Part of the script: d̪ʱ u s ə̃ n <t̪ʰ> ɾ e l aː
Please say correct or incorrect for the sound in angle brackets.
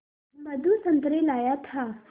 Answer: incorrect